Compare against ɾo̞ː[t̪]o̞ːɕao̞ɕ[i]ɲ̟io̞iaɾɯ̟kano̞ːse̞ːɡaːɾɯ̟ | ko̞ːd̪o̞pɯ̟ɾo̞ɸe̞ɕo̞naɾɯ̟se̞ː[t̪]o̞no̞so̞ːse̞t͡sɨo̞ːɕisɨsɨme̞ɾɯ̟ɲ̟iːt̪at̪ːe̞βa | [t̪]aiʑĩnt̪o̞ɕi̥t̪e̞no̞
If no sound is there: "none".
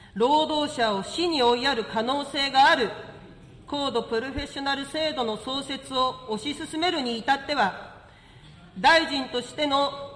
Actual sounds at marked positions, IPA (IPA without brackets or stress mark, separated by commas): d̪, i, d̪, d̪